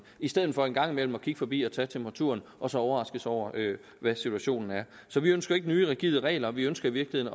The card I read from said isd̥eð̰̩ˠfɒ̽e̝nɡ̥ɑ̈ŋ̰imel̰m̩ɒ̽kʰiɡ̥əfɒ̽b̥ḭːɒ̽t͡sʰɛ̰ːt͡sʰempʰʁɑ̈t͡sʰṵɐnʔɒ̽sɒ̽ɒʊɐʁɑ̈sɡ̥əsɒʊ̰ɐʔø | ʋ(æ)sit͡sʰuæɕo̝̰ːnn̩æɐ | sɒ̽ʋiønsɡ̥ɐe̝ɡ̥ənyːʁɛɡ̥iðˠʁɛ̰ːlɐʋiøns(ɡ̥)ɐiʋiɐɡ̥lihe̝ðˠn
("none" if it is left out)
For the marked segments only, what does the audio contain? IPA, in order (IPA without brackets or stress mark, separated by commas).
æ, ɡ̥